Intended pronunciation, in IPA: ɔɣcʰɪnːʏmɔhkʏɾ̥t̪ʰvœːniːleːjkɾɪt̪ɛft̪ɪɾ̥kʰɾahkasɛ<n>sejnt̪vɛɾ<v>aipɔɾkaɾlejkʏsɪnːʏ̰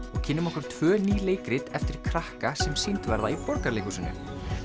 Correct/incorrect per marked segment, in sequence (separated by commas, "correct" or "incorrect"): incorrect, incorrect